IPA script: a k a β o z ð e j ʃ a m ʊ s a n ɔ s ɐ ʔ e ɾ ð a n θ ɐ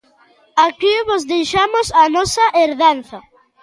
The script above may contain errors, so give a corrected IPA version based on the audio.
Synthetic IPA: a k i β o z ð e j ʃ a m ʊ s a n ɔ s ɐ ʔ e ɾ ð a n θ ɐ